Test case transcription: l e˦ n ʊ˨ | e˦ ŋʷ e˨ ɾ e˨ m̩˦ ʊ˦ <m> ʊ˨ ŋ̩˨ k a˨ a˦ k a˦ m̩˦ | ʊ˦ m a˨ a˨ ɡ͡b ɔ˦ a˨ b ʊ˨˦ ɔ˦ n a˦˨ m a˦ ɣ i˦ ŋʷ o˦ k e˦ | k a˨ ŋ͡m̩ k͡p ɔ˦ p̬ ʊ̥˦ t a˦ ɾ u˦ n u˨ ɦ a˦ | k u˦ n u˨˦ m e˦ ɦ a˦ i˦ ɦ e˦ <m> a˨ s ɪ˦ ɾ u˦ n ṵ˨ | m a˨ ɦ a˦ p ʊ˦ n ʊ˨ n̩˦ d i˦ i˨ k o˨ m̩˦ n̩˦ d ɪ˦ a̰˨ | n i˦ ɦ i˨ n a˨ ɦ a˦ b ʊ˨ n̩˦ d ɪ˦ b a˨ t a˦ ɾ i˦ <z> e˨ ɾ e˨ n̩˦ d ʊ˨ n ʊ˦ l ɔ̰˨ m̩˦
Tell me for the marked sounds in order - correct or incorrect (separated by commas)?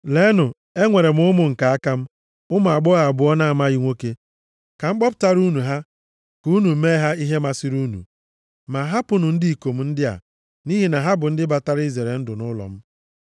correct, correct, correct